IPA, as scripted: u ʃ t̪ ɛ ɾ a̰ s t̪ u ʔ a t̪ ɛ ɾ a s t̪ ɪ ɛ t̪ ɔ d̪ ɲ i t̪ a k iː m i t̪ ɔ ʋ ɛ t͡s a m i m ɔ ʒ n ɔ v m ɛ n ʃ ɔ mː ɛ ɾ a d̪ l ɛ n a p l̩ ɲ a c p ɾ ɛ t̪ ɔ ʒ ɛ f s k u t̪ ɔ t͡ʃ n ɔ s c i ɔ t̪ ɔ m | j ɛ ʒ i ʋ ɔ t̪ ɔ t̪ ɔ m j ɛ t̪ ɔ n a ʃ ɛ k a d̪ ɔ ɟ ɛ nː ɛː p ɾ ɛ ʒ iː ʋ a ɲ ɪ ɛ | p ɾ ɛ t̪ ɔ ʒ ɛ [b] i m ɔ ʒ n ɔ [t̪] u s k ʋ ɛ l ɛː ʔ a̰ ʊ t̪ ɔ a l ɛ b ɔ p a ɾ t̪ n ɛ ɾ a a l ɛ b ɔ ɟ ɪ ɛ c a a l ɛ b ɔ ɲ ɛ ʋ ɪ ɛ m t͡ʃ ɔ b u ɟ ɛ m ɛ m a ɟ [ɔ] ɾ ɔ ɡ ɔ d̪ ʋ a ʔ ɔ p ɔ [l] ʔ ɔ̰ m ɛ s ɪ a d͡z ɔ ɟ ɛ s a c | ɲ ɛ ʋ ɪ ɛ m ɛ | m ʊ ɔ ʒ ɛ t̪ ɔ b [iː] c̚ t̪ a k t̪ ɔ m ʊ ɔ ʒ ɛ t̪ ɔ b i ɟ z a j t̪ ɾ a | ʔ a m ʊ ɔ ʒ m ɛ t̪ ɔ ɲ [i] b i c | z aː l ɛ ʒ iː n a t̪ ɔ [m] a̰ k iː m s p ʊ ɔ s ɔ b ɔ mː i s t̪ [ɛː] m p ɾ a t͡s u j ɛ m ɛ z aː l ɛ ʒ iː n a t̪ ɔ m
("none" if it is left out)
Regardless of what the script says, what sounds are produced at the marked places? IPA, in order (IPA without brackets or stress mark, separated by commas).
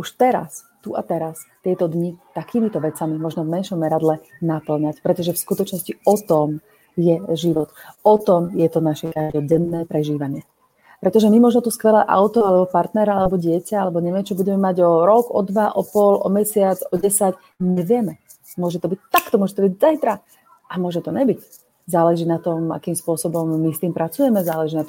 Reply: m, t̪, ɔ, l, i, ɛ, m, iː